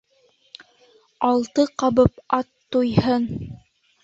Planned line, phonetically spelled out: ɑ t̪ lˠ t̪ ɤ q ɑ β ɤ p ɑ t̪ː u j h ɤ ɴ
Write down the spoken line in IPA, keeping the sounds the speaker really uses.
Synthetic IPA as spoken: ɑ lˠ t̪ ɤ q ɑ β ɤ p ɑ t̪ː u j h ɤ n